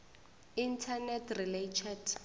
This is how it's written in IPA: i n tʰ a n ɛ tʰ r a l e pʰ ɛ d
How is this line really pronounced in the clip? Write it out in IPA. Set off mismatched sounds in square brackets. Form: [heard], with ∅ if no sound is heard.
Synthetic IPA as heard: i n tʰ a n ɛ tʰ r [i] l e [tʰ] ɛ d